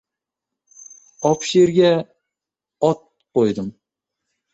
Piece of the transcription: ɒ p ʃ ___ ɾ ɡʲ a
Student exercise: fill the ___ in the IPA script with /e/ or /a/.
e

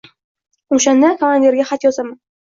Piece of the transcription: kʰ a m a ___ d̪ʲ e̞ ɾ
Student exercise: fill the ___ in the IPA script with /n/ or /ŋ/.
n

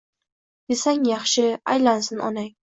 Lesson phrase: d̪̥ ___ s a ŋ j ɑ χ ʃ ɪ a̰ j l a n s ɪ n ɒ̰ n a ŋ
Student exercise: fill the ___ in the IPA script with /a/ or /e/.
e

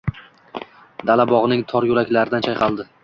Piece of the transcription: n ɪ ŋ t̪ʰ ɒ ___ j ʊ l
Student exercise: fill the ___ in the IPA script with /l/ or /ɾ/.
ɾ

